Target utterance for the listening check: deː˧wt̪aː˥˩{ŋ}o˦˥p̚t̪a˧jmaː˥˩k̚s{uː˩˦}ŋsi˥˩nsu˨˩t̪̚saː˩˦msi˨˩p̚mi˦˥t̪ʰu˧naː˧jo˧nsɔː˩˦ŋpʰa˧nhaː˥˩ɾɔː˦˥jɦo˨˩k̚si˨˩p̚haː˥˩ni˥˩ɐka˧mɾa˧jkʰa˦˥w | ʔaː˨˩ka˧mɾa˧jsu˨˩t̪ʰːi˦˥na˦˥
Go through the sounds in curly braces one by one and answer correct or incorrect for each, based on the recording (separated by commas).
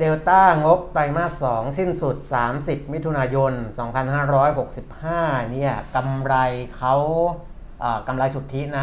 correct, incorrect